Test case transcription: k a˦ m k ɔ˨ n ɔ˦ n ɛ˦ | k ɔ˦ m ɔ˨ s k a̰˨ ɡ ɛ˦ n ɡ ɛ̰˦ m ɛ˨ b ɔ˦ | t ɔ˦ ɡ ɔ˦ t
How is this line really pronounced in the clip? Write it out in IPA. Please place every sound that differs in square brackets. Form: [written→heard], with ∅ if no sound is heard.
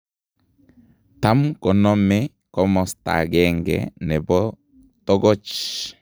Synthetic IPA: [k→t] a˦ m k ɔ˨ n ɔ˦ [n→m] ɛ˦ | k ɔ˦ m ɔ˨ s [k→t] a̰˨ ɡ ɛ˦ [n→ŋ] ɡ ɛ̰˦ [m→n] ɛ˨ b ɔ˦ | t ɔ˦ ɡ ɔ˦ [t→t͡ʃ]